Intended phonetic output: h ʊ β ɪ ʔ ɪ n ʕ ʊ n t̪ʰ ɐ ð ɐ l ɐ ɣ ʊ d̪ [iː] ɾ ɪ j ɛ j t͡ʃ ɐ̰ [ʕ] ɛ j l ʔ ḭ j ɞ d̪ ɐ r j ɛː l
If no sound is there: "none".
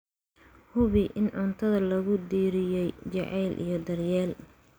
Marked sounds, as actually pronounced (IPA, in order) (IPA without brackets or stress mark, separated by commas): iː, ʕ